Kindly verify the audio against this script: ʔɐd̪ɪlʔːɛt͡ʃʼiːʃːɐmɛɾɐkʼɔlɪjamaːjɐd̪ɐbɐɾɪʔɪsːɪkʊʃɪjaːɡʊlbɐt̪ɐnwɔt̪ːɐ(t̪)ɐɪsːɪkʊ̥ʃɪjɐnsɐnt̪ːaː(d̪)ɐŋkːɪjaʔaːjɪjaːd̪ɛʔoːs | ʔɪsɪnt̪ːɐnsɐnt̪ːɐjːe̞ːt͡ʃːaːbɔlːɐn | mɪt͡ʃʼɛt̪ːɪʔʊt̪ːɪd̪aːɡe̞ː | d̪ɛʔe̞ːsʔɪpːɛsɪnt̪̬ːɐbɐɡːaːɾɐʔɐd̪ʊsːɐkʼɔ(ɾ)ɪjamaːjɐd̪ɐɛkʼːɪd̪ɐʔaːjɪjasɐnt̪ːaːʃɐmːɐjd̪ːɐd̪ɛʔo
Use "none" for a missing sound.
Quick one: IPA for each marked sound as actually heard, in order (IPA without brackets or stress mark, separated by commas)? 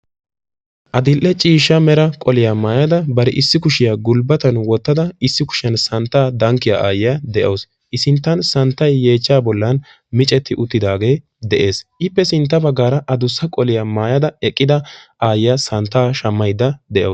d̪, d̪, l